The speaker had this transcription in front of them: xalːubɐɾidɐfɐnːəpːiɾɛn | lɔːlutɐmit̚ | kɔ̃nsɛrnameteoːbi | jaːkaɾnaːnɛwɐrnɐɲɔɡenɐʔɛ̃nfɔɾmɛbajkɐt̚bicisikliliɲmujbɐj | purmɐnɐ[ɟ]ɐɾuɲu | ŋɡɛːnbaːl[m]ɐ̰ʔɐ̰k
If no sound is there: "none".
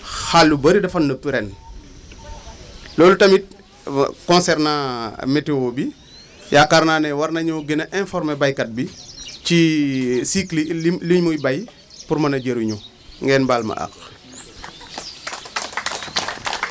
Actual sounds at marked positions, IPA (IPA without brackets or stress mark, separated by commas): ɟ, m